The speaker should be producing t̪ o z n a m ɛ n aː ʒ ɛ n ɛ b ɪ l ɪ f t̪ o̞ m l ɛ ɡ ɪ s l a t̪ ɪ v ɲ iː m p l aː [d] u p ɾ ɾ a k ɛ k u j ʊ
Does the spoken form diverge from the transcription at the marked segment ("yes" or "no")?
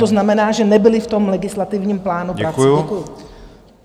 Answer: yes